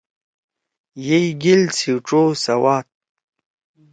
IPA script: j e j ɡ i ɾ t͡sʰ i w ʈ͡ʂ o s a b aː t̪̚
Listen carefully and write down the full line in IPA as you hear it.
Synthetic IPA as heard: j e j ɡ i l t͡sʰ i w ʈ͡ʂ o s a w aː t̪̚